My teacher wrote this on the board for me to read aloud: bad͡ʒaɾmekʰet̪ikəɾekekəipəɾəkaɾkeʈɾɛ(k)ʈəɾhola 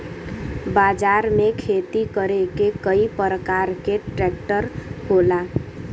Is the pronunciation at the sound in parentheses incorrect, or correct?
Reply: correct